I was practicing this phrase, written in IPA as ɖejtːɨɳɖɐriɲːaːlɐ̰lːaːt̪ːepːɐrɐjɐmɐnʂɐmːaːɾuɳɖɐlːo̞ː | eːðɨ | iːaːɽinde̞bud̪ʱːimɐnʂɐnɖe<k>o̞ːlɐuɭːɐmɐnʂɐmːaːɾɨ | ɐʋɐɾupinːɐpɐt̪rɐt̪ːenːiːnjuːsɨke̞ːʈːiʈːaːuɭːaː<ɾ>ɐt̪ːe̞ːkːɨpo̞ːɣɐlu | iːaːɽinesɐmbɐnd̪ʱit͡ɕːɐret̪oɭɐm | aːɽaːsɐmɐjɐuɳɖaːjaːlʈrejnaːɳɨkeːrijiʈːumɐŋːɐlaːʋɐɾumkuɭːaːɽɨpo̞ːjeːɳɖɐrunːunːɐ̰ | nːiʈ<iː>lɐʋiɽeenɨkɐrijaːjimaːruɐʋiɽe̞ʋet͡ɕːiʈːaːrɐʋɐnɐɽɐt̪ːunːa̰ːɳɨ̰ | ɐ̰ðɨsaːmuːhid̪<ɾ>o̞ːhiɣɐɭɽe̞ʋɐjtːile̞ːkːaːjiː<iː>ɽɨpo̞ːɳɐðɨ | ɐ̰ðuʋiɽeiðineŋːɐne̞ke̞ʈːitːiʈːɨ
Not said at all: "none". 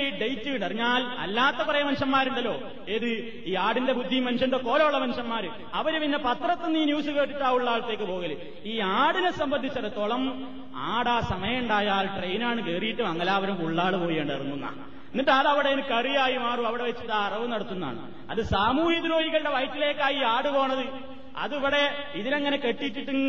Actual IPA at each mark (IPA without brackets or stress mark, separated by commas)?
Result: k, ɭ, aː, ɾ, aː